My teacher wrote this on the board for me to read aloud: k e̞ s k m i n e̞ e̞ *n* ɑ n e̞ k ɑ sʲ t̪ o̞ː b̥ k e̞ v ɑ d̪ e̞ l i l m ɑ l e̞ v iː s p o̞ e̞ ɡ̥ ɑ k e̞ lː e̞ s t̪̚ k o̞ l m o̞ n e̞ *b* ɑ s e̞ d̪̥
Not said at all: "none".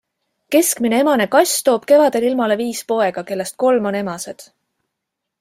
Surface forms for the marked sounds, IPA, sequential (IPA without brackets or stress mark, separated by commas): m, m